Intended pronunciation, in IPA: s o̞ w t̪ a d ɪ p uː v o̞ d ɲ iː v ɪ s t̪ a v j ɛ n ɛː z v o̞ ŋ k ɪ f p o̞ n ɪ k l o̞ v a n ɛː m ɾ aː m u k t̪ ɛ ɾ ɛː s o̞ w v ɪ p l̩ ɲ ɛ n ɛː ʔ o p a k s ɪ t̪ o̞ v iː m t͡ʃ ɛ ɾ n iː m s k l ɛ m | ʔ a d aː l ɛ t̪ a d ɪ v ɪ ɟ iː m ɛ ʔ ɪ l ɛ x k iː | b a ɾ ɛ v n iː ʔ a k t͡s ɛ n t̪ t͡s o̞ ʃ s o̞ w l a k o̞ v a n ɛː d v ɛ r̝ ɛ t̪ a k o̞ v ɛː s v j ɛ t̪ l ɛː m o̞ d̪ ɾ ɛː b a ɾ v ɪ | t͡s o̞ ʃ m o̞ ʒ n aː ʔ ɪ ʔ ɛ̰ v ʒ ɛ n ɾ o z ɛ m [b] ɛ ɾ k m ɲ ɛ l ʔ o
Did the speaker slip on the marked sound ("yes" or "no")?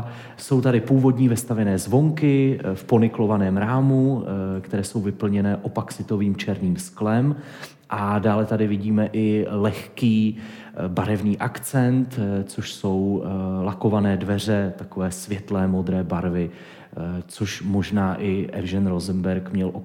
no